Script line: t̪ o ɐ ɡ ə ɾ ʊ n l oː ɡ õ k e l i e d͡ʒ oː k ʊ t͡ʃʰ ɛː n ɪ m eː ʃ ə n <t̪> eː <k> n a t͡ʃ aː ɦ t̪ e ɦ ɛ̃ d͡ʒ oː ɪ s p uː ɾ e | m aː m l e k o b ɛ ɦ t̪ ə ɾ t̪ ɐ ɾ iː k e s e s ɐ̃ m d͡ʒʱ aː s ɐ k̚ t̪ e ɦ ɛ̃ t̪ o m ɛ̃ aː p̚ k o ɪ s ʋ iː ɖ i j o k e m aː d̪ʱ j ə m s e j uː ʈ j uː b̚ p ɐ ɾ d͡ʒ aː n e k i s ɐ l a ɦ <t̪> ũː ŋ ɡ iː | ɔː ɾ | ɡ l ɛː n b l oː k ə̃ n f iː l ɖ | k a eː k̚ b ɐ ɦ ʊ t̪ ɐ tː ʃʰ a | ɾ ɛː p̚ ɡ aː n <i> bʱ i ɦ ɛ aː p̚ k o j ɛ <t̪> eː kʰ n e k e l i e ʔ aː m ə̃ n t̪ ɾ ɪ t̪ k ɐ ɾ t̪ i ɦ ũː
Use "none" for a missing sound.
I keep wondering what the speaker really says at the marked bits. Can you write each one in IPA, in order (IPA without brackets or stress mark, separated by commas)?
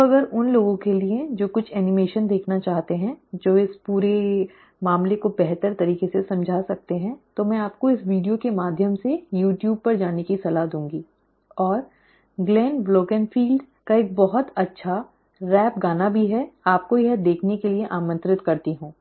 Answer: d̪, kʰ, d̪, a, d̪